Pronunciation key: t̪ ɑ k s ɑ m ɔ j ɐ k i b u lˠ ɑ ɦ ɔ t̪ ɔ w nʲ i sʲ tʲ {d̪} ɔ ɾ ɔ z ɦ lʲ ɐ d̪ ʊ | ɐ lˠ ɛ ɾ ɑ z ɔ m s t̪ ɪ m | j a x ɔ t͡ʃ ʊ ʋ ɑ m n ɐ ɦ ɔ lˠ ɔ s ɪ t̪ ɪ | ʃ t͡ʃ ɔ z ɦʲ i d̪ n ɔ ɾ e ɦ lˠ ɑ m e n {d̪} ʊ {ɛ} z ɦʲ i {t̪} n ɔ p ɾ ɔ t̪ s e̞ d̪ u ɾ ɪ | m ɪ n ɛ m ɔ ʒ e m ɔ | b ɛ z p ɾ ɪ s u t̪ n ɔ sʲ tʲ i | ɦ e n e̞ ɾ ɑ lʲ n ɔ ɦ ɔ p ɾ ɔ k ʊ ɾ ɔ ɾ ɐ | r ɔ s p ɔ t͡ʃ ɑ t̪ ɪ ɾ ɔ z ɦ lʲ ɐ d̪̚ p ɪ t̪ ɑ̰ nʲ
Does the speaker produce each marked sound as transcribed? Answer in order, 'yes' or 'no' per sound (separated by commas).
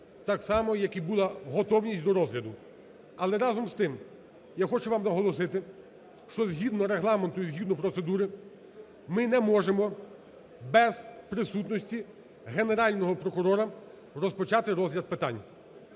yes, no, no, no